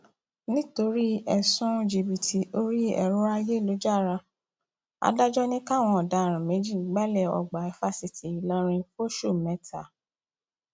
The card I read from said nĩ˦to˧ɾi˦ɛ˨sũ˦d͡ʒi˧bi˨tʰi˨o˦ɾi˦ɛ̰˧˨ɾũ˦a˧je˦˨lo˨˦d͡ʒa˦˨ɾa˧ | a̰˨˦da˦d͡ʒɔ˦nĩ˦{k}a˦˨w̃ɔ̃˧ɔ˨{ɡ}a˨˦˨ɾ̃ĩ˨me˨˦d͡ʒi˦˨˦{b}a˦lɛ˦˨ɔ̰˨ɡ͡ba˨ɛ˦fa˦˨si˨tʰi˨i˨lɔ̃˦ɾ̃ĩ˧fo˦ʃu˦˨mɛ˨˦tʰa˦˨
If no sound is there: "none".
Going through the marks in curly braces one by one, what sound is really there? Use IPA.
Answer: k, d, ɡ͡b

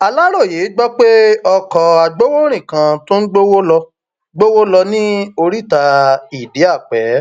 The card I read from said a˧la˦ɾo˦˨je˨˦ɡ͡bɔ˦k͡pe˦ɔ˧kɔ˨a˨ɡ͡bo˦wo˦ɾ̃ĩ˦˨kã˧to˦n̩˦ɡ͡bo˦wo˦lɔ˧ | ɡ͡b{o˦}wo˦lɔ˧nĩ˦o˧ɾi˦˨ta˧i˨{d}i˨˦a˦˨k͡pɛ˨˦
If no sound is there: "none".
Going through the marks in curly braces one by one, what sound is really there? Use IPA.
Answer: o˦, d

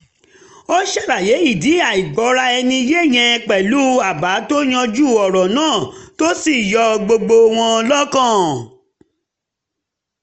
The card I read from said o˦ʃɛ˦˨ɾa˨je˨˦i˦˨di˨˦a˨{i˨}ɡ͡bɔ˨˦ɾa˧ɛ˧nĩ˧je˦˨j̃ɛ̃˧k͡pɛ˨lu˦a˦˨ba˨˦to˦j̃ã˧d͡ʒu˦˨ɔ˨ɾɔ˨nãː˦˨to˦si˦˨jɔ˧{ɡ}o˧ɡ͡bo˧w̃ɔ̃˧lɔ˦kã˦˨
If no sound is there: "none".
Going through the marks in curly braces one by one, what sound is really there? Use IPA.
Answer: i˨, ɡ͡b

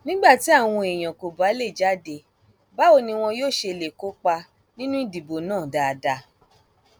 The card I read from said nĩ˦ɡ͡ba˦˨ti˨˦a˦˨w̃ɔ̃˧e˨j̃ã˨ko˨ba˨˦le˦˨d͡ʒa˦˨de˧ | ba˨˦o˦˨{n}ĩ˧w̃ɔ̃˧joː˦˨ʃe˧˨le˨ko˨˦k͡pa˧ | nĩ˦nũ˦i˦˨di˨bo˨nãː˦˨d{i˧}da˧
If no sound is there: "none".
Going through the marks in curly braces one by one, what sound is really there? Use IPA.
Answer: n, a˧

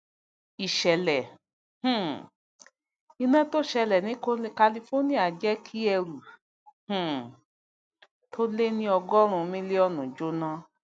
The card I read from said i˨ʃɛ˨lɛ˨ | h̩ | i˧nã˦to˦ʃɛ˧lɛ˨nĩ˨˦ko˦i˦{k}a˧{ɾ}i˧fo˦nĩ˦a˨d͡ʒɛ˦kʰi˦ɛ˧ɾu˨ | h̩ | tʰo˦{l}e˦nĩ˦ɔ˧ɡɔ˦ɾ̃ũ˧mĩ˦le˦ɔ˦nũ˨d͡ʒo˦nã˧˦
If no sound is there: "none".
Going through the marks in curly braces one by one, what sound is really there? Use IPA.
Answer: k, l, l

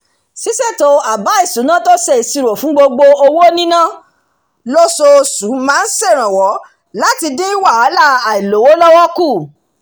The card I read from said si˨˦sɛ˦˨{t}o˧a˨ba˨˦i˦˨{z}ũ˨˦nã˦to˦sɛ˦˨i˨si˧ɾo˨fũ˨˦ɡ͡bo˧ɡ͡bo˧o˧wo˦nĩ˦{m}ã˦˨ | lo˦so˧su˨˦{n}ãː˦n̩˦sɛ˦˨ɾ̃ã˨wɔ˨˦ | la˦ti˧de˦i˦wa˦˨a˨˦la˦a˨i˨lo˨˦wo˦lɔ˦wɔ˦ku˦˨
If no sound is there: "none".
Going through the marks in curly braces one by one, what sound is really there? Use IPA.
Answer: t, s, n, m

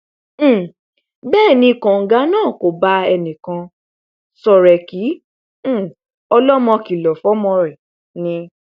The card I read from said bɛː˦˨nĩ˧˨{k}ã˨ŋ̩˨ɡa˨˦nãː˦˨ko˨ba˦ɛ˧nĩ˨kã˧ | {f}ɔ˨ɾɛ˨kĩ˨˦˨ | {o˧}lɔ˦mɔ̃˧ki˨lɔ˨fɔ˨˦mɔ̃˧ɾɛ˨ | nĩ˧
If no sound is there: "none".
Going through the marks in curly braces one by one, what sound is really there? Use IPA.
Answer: k, s, ɔ˧

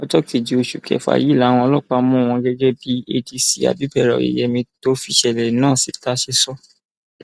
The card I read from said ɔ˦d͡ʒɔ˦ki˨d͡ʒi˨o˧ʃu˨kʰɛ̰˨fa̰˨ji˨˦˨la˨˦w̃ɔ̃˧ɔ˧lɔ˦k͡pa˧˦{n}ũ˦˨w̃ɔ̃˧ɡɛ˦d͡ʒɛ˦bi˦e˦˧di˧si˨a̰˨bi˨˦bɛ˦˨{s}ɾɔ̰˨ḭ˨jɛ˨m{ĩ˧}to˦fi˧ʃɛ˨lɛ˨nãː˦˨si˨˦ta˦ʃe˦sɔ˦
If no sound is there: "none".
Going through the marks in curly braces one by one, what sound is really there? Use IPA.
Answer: m, none, ĩ˧

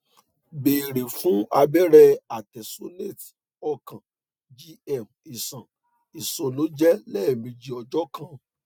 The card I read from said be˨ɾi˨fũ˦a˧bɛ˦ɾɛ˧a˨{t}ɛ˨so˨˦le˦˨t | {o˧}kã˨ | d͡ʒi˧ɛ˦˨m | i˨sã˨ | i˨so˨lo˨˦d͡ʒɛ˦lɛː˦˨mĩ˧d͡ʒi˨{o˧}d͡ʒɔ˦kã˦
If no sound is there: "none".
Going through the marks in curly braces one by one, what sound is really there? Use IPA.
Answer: t, ɔ˧, ɔ˧

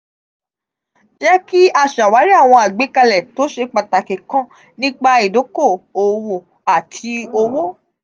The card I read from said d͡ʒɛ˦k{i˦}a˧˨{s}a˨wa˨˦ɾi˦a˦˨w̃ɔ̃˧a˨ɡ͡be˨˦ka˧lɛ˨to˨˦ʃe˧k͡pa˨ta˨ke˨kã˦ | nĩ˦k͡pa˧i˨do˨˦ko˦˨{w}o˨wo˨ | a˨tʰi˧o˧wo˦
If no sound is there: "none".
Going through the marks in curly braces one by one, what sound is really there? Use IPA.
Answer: i˦, ʃ, none

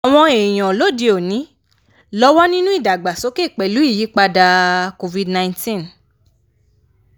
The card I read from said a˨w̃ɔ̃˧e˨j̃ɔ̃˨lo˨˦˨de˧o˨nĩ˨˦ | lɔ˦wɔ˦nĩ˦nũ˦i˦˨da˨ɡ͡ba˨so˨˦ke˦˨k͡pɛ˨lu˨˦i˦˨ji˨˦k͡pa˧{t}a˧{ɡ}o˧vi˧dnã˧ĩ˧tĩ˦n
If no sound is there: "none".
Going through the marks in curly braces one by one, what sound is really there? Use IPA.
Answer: d, k

